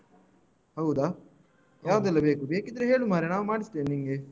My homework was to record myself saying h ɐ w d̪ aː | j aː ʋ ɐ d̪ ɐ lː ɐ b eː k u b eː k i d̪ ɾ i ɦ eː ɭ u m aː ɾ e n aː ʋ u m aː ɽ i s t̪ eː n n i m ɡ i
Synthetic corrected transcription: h ɐ w d̪ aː | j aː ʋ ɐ d̪ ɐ lː ɐ b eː k u b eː k i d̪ ɾ e ɦ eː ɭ u m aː ɾ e n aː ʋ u m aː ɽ i s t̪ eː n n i ŋ ɡ e